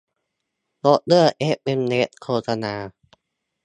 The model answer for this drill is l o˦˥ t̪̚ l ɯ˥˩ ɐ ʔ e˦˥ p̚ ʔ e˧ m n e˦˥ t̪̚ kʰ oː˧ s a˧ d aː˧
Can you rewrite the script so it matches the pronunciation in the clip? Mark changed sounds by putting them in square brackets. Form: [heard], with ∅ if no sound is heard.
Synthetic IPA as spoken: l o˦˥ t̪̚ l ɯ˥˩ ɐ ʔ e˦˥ p̚ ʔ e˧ m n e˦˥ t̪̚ kʰ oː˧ s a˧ [n] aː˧